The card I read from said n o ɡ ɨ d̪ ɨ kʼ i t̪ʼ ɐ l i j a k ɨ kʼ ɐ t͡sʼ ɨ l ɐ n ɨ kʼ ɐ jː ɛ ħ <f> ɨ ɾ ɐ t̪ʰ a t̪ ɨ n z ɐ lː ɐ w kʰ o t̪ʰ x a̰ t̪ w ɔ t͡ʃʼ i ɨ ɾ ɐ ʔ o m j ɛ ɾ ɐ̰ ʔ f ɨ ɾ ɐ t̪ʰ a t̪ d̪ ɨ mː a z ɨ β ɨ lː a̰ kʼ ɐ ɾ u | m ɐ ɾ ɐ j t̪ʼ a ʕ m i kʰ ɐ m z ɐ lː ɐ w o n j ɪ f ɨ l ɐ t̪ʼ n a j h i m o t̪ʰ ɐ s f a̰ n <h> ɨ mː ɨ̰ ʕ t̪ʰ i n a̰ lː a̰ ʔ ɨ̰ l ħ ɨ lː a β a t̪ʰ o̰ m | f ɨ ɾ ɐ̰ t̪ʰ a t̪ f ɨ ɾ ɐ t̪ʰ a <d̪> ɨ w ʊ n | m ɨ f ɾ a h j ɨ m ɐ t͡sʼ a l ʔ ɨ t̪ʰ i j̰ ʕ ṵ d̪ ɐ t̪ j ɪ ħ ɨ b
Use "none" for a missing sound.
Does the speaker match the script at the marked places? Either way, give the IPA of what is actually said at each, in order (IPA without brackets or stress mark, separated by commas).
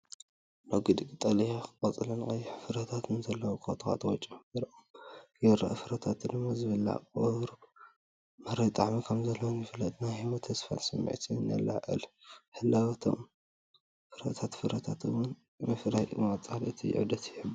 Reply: f, s, t̪